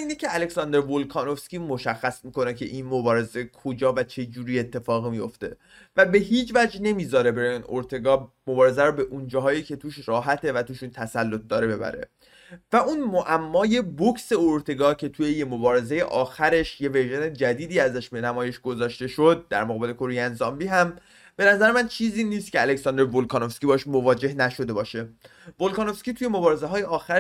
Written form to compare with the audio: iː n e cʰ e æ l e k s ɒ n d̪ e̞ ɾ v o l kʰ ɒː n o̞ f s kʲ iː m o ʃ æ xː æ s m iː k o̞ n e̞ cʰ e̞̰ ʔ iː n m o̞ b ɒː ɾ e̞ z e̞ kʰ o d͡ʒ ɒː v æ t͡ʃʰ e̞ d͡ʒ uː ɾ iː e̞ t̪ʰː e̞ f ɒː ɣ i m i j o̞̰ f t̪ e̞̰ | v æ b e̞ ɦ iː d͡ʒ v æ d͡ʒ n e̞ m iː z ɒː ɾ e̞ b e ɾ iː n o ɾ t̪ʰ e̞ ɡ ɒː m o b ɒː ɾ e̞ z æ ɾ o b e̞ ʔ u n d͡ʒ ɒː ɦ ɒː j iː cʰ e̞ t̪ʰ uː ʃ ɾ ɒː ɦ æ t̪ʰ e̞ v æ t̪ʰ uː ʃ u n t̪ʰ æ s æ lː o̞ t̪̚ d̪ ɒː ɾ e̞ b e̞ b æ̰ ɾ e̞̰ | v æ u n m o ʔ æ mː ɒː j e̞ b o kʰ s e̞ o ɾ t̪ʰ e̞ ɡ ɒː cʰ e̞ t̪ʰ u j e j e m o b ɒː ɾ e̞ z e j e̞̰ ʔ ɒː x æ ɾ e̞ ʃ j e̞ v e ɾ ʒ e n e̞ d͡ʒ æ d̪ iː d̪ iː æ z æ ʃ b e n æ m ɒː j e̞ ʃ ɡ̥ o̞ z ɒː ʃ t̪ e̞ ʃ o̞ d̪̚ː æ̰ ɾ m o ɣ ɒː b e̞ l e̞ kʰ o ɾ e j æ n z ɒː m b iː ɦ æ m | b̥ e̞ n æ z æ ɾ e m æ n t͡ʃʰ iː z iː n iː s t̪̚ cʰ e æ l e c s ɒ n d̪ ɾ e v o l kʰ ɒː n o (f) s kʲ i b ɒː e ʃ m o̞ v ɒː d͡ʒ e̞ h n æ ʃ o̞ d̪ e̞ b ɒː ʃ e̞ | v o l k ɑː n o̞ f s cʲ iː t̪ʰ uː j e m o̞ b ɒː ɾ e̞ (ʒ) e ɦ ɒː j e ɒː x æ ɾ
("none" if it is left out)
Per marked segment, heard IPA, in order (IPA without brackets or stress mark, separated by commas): f, z